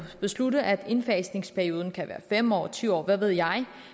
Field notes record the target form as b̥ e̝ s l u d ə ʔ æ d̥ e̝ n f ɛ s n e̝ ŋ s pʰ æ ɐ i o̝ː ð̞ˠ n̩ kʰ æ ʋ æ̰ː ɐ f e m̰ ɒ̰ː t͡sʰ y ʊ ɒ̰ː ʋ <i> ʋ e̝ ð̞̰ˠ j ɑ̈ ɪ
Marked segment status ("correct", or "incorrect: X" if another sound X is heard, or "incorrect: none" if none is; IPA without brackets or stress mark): incorrect: æ